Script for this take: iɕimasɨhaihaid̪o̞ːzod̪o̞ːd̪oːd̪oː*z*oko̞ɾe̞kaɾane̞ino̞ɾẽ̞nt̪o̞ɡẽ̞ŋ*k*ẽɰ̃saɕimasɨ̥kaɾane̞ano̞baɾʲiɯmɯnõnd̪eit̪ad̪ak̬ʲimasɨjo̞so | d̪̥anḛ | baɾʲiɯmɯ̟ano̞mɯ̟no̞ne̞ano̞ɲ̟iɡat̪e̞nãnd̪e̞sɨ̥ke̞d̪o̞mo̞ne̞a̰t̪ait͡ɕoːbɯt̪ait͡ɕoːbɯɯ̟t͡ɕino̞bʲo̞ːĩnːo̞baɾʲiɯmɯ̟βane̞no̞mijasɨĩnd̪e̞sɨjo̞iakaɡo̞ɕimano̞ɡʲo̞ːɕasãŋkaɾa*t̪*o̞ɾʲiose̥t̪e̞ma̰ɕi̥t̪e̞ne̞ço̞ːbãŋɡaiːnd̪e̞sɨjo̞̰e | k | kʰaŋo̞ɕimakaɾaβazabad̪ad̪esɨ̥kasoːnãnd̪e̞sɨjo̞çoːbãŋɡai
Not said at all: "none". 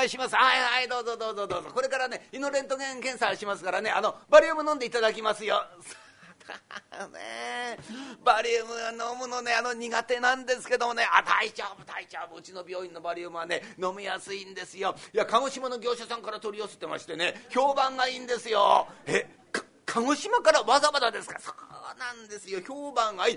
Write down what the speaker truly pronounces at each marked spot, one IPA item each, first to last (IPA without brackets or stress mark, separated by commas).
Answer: z, k, t̪